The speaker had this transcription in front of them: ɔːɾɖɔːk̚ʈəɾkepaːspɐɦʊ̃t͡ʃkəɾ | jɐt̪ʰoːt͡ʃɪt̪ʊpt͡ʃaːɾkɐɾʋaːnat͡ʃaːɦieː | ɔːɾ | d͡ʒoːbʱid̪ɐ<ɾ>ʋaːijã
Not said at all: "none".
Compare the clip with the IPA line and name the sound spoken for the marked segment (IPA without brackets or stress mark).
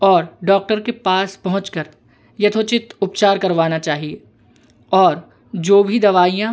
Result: none